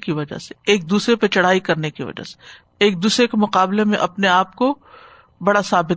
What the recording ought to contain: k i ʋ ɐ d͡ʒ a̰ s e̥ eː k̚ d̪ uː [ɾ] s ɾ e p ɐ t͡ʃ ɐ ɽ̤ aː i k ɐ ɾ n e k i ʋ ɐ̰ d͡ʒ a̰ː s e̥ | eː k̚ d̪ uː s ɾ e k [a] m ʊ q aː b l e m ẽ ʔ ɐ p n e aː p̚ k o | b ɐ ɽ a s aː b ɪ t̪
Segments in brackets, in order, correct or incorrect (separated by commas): incorrect, incorrect